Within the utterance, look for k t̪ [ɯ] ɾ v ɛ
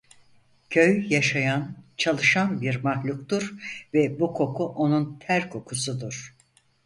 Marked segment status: incorrect: u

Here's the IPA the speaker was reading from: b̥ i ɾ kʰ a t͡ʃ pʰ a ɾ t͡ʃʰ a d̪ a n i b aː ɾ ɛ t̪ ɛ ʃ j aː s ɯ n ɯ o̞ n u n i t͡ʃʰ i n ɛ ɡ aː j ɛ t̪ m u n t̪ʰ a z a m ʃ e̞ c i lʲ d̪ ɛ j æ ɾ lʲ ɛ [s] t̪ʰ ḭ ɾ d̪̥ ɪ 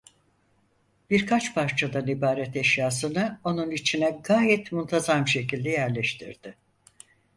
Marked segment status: incorrect: ʃ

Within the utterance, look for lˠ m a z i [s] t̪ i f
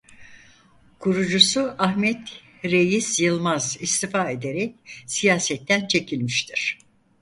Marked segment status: correct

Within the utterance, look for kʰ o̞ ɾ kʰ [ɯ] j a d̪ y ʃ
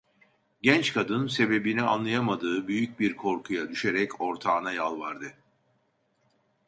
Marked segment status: incorrect: u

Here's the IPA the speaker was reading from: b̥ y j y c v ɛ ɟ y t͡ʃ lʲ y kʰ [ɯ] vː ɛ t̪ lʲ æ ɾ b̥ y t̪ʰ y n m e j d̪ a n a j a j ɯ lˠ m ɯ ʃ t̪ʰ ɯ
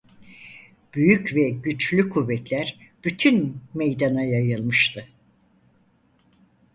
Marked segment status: incorrect: u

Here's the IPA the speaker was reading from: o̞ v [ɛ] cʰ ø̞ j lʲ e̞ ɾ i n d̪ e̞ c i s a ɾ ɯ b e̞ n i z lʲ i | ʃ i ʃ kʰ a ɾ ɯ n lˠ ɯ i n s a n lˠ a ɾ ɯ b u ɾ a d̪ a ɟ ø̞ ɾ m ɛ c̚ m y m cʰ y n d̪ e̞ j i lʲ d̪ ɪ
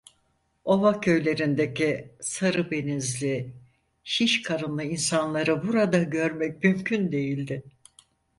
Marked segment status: incorrect: a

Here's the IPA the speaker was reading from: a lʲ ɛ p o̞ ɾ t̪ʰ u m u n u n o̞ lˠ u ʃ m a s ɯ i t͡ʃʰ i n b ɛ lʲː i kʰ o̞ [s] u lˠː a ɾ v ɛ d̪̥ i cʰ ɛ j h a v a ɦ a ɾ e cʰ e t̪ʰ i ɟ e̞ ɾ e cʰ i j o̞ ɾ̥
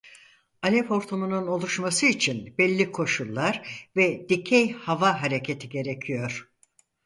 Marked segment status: incorrect: ʃ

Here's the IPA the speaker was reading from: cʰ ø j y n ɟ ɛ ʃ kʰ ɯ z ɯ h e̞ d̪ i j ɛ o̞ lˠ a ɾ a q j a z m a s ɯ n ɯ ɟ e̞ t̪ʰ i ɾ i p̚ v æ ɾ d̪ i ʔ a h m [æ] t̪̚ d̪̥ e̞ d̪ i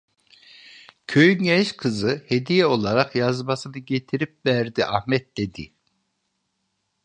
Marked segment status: incorrect: ɛ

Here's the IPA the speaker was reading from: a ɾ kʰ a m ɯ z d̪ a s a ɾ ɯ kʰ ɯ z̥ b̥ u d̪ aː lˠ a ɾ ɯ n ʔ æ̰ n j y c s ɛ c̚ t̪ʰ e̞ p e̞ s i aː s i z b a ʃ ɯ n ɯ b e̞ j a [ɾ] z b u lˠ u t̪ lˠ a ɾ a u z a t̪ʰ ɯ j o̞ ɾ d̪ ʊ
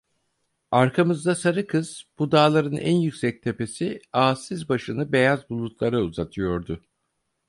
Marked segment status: incorrect: none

